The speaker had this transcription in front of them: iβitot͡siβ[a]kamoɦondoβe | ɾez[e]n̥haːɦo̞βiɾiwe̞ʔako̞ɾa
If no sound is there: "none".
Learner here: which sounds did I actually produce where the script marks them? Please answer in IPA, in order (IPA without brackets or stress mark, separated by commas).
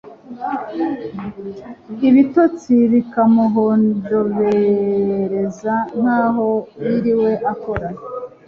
i, a